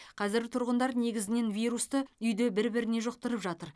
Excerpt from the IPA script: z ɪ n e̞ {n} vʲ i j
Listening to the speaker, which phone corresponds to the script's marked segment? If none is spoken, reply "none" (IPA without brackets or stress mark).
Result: n